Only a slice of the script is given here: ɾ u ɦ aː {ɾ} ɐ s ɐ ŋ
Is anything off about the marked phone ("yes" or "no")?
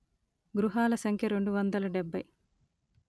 yes